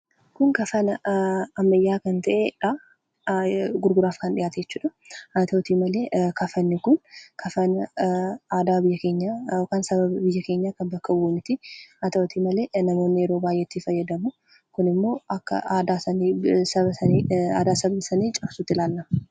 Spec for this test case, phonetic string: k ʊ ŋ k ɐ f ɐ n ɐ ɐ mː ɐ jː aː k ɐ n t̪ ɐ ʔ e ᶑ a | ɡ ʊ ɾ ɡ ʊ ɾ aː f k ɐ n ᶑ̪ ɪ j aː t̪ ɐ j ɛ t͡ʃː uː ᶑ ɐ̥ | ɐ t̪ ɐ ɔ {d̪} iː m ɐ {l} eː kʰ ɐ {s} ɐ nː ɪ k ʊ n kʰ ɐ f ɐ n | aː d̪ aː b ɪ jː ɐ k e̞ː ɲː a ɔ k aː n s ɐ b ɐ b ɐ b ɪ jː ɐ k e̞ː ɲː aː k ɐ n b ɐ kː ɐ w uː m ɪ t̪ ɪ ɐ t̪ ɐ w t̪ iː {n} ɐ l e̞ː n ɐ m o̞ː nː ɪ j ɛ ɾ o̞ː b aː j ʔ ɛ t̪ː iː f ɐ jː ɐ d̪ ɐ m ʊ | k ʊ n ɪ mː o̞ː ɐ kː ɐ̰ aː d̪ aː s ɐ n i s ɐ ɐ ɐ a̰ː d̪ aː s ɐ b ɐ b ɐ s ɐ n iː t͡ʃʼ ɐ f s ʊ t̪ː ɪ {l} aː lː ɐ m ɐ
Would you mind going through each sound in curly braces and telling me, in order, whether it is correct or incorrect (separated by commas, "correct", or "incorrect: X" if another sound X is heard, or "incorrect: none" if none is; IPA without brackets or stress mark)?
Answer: incorrect: t̪, correct, incorrect: f, incorrect: m, correct